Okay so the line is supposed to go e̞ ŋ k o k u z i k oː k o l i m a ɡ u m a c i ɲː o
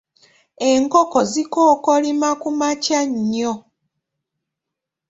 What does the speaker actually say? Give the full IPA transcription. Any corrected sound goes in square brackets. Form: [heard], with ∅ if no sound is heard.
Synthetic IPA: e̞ ŋ k o k [o] z i k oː k o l i m a [k] u m a c [a] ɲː o